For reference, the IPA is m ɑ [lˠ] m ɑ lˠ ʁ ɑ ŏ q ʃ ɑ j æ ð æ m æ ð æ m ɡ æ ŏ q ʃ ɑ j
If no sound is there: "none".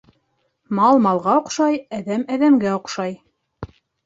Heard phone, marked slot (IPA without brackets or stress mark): lˠ